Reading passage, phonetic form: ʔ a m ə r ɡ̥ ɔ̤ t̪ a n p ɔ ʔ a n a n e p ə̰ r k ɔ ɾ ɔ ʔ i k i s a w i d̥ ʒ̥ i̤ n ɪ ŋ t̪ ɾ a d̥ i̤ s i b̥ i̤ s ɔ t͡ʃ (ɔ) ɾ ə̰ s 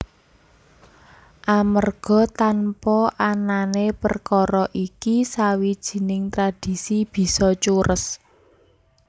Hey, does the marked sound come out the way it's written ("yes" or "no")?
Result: no